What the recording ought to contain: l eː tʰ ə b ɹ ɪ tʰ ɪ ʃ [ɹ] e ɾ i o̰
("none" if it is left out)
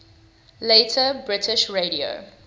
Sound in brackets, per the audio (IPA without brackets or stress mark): ɹ